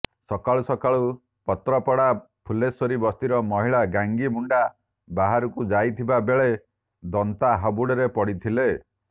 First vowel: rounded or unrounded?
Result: rounded